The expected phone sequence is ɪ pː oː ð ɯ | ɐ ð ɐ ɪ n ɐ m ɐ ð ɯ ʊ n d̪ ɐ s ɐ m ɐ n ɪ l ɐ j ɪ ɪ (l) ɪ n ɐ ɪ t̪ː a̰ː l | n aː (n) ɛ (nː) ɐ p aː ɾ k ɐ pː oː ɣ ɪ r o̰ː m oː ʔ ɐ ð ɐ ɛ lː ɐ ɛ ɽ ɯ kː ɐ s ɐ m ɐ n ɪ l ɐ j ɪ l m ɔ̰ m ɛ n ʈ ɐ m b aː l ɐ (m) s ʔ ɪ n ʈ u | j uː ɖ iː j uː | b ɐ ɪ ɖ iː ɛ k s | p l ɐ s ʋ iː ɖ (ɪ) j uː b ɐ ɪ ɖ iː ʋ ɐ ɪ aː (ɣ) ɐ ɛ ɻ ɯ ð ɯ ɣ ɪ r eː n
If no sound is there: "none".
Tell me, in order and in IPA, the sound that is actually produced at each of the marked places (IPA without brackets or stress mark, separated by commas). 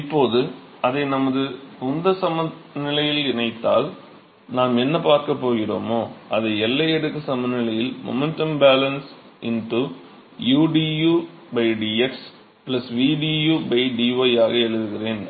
l, m, nː, n, i, ɣ